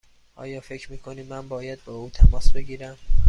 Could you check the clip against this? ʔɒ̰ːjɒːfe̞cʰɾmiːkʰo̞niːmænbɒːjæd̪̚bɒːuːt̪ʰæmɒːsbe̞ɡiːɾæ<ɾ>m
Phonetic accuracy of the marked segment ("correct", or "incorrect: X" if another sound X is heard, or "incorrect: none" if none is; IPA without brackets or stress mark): incorrect: none